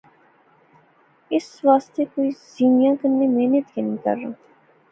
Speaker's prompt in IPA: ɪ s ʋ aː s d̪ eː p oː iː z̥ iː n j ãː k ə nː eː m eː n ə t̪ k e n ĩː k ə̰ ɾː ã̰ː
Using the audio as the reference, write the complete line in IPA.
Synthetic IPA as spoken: ɪ s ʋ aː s t̪ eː k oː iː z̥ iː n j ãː k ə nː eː m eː n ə t̪ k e n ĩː k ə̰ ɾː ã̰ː